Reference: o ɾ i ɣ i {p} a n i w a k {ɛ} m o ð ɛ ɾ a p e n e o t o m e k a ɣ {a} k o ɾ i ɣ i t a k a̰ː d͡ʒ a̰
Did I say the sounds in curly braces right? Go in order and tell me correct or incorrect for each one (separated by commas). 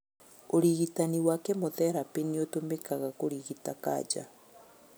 incorrect, correct, correct